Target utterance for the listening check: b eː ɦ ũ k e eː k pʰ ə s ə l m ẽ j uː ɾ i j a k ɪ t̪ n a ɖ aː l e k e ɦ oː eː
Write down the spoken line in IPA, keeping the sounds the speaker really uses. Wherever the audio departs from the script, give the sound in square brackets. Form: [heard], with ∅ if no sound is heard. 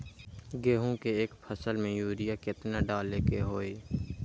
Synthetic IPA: [ɡ] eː ɦ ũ k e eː k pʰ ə s ə l m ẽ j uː ɾ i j a k ɪ t̪ n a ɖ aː l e k e ɦ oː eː